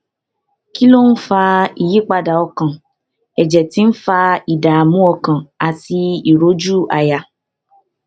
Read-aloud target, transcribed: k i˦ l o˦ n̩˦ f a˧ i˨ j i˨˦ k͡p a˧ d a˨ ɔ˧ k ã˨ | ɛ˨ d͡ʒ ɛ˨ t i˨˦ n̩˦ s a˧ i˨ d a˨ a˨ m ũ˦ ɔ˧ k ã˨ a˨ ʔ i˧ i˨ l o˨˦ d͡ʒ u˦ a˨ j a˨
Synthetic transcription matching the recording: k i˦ l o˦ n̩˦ f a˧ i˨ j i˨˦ k͡p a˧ d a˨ ɔ˧ k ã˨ | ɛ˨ d͡ʒ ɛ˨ t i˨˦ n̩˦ f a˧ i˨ d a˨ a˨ m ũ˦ ɔ˧ k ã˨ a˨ t i˧ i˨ ɾ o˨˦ d͡ʒ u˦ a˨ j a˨